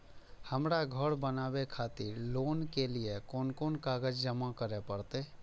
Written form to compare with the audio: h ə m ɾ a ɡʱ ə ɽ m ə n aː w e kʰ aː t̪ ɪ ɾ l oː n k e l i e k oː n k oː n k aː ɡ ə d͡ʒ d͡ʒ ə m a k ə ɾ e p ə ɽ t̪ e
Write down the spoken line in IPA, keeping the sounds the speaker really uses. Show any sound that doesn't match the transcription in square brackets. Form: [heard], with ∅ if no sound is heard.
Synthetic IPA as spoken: h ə m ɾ a ɡʱ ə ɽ [b] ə n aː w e kʰ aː t̪ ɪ ɾ l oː n k e l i e k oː n k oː n k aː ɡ ə d͡ʒ d͡ʒ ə m a k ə ɾ e p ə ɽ t̪ e